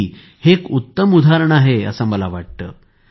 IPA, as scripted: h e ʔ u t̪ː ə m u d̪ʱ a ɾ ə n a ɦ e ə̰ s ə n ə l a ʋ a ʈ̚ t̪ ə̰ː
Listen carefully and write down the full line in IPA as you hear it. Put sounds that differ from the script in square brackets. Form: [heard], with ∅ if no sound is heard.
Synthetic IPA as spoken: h e [k] u t̪ː ə m u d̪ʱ a ɾ ə [ɳ] a ɦ e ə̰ s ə [m] ə l a ʋ a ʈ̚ t̪ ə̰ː